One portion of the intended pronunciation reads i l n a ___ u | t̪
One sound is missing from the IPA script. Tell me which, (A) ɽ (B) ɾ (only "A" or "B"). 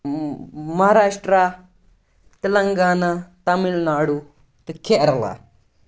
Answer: A